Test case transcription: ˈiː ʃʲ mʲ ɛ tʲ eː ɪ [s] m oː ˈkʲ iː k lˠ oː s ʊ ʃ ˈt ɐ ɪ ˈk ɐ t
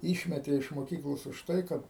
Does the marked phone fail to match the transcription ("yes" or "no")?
yes